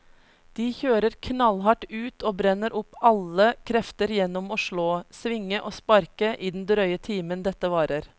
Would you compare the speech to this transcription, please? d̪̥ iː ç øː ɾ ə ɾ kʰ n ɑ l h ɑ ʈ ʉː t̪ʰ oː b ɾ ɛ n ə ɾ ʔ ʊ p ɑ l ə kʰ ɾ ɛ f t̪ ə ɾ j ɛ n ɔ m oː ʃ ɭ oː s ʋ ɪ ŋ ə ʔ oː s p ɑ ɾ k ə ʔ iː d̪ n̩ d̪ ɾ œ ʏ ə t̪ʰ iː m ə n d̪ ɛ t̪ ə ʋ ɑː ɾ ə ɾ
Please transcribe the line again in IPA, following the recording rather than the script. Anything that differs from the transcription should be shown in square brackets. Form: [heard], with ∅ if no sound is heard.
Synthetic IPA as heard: d̪̥ iː ç øː ɾ ə ɾ kʰ n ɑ l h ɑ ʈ ʉː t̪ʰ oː b ɾ ɛ n ə ɾ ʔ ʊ p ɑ l ə kʰ ɾ ɛ f t̪ ə ɾ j ɛ n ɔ m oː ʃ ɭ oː s ʋ ɪ ŋ ə ʔ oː s p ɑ ɾ k ə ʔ iː d̪ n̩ d̪ ɾ œ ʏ ə t̪ʰ iː m ə n d̪ ɛ t̪ ə ʋ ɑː ɾ ə ɾ